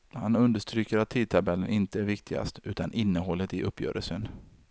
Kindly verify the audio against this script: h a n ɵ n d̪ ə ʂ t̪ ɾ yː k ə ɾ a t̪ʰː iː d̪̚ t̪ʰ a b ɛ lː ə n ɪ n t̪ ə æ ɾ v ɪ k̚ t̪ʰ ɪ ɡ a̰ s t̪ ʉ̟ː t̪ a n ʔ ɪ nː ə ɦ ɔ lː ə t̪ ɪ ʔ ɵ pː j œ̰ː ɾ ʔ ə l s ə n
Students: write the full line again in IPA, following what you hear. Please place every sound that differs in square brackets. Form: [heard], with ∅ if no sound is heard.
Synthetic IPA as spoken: h a n ɵ n d̪ ə ʂ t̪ ɾ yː k ə ɾ a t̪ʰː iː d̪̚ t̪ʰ a b ɛ lː ə n ɪ n t̪ ə æ ɾ v ɪ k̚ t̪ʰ ɪ ɡ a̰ s t̪ ʉ̟ː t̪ a n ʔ ɪ nː ə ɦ ɔ lː ə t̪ ɪ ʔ ɵ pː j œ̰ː ɾ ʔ ə l s ə n